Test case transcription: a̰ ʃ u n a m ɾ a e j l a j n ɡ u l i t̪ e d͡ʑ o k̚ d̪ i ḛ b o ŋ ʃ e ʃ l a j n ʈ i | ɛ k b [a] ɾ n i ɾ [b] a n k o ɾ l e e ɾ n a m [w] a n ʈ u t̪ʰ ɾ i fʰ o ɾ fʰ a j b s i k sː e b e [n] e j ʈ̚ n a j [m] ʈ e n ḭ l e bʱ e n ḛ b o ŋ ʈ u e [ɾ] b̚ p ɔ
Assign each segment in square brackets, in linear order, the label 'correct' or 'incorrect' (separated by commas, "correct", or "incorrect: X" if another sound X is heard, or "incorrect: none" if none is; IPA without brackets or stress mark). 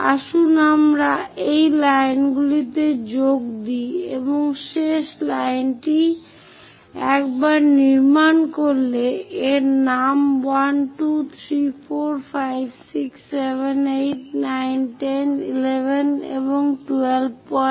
correct, incorrect: m, correct, correct, incorrect: n, incorrect: l